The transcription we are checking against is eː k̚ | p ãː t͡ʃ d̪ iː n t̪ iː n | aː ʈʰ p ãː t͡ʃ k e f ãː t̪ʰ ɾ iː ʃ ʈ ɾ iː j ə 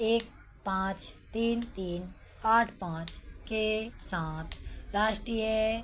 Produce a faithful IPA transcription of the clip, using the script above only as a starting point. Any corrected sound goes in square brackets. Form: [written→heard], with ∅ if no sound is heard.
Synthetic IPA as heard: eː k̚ | p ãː t͡ʃ [d̪→t̪] iː n t̪ iː n | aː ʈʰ p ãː t͡ʃ k e [f→s] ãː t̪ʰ ɾ [iː→aː] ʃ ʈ ɾ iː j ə

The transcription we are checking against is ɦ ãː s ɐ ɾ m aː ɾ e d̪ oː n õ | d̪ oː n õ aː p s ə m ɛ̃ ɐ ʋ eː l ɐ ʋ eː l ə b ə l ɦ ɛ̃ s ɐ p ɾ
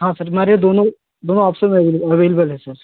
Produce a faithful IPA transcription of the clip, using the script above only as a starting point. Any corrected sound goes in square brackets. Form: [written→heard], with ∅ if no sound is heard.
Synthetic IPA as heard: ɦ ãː s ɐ ɾ m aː ɾ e d̪ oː n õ | d̪ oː n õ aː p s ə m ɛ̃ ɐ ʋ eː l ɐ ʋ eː l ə b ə l ɦ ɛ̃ s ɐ [p→∅] ɾ

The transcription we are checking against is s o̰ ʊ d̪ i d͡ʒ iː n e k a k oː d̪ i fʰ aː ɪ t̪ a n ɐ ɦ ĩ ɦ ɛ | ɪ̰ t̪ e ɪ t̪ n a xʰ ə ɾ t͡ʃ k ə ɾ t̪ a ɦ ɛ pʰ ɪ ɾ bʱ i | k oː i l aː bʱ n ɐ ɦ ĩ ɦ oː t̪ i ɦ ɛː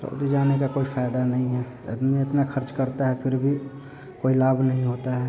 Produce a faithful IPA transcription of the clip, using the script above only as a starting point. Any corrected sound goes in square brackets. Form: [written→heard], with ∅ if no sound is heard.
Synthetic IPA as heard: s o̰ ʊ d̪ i d͡ʒ [iː→aː] n e k a k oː [d̪→∅] i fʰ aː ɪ [t̪→d̪] a n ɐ ɦ ĩ ɦ ɛ | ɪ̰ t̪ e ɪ t̪ n a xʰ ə ɾ t͡ʃ k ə ɾ t̪ a ɦ ɛ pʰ ɪ ɾ bʱ i | k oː i l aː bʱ n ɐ ɦ ĩ ɦ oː t̪ [i→a] ɦ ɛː

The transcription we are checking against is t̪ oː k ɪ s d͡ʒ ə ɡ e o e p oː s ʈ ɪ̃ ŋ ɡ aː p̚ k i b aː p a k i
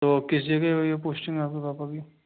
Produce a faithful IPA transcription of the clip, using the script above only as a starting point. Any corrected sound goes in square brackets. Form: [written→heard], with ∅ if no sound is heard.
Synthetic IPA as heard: t̪ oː k ɪ s d͡ʒ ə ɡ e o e p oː s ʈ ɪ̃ ŋ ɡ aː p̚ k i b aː p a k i

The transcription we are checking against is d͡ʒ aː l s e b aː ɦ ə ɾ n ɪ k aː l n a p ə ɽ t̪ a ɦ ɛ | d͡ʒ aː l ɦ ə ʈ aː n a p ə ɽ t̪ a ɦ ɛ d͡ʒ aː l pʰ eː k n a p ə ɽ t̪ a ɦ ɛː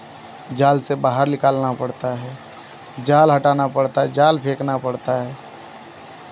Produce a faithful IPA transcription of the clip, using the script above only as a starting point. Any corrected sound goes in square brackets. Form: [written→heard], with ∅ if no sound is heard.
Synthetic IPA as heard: d͡ʒ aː l s e b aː ɦ ə ɾ n ɪ k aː l n a p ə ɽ t̪ a ɦ ɛ | d͡ʒ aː l ɦ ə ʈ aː n a p ə ɽ t̪ a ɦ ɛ d͡ʒ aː l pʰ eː k n a p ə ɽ t̪ a ɦ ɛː

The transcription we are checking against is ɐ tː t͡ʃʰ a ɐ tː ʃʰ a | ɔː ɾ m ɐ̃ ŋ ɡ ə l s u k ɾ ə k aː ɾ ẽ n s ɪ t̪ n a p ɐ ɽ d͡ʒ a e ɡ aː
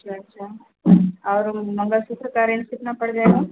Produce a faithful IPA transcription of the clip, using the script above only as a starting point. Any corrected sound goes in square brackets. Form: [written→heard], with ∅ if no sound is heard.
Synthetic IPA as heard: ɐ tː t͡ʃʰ a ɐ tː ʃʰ a | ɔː ɾ m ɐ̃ ŋ ɡ ə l s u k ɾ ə k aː ɾ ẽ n s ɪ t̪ n a p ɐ ɽ d͡ʒ a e ɡ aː

